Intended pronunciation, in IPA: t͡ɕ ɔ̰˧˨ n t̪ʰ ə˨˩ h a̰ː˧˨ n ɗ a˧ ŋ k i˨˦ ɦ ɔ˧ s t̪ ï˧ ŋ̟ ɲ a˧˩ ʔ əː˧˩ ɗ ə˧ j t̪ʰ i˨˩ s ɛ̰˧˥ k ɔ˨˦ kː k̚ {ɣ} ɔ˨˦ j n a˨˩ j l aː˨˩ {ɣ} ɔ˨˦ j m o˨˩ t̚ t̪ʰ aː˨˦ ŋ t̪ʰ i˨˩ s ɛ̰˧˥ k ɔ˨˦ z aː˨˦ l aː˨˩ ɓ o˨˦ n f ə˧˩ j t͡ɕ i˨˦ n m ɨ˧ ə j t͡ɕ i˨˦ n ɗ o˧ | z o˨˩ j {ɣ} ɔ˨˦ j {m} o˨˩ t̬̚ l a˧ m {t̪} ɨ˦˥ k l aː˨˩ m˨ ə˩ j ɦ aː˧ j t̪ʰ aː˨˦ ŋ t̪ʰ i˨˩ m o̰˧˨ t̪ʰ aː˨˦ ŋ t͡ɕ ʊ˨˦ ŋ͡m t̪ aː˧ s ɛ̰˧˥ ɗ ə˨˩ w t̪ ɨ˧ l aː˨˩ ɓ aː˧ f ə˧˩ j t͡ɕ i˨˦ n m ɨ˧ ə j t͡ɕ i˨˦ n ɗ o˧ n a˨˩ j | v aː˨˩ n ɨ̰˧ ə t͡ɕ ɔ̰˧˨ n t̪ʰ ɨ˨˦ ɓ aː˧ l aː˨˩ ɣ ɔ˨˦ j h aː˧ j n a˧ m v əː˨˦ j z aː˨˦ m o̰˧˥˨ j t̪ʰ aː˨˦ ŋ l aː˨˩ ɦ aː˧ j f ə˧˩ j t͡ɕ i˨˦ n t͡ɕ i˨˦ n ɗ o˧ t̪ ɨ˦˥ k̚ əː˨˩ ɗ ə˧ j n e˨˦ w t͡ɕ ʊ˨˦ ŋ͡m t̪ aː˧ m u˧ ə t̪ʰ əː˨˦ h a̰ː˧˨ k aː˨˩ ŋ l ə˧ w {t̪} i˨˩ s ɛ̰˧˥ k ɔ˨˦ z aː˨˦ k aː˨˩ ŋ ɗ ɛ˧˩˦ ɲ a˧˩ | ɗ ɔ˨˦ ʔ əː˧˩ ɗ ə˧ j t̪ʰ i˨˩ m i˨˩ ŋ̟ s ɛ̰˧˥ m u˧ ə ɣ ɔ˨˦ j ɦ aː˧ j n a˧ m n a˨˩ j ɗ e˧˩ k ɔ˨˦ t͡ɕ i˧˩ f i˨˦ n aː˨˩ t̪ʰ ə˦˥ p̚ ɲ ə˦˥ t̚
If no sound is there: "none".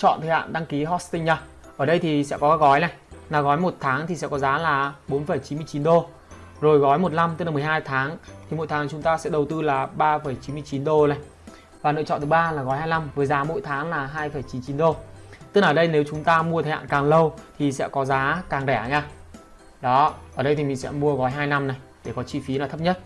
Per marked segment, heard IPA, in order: ɣ, ɣ, ɣ, m, t̪, t̪ʰ

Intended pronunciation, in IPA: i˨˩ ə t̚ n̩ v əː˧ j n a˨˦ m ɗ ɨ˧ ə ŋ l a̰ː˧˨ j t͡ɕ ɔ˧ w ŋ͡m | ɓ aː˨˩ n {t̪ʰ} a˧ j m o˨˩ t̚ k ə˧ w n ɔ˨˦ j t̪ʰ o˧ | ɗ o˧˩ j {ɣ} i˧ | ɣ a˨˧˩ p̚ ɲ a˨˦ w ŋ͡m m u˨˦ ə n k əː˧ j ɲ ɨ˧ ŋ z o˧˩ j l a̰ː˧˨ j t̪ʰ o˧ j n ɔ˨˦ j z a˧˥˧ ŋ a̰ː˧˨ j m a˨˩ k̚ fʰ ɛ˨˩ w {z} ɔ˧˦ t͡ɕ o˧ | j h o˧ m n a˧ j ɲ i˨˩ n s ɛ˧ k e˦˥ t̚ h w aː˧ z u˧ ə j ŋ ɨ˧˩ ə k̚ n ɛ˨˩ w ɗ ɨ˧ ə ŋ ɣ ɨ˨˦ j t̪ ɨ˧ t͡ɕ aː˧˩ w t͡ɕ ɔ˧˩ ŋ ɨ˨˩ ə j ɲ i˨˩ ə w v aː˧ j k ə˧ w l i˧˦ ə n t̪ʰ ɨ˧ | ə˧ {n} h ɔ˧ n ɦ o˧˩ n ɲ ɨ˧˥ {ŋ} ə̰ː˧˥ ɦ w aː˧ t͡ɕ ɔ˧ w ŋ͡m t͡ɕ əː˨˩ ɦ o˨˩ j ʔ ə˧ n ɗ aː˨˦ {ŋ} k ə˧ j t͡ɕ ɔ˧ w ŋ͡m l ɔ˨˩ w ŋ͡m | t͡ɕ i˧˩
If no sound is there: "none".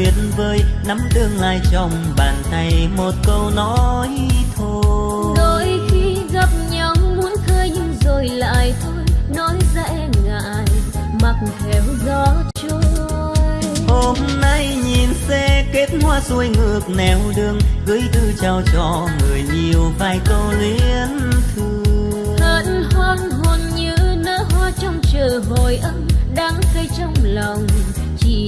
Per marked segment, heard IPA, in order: t̪, x, z, n, n, ŋ

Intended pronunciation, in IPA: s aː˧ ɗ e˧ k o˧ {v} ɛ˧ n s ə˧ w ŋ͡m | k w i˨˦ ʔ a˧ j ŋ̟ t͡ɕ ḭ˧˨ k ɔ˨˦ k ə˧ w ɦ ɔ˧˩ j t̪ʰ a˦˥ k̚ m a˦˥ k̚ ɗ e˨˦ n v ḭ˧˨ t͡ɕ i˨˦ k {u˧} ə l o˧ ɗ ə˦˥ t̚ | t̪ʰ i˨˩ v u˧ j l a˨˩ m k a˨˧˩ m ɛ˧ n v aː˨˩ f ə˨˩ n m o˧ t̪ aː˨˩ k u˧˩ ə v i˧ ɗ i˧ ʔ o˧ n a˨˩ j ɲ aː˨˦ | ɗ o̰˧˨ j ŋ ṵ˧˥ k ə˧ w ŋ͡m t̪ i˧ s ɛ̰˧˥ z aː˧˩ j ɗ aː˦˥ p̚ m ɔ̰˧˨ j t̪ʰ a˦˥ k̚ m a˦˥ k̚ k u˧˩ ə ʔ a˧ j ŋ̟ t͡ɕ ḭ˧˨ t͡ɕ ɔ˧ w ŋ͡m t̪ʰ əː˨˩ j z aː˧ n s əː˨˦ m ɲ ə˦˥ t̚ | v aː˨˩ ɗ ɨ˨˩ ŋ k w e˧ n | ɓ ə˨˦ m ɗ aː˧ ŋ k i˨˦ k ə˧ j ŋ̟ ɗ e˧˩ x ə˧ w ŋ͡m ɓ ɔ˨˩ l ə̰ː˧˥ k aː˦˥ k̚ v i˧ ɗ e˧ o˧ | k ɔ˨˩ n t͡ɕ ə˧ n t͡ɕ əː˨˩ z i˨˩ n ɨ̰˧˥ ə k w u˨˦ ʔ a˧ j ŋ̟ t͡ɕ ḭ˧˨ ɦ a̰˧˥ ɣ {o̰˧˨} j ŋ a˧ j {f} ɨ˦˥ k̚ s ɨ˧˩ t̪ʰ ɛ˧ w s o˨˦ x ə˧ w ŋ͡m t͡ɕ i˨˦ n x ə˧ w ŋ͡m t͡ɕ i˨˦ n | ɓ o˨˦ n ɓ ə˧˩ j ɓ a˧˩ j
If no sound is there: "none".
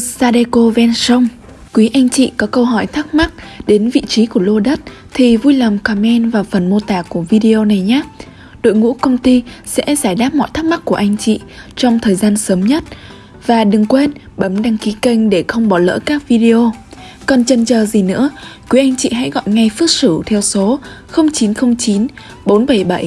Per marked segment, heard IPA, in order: v, u˧˩, ɔ̰˧˨, f

